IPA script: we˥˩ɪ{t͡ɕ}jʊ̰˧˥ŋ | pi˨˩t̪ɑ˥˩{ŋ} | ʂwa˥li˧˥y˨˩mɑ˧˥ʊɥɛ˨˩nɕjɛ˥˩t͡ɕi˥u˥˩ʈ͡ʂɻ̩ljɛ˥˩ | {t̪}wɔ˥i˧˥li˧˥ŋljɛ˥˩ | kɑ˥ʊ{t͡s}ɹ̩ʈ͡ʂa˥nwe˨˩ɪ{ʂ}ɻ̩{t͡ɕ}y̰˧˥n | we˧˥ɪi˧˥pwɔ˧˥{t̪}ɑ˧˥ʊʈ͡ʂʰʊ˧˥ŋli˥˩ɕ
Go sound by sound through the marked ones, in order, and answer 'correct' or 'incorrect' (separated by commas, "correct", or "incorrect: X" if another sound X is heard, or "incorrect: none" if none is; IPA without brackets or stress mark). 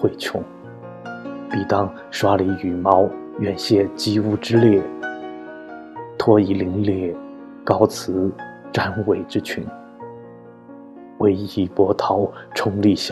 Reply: incorrect: t͡ɕʰ, correct, incorrect: t̪ʰ, incorrect: t͡sʰ, incorrect: ʈ͡ʂ, incorrect: t͡ɕʰ, incorrect: t̪ʰ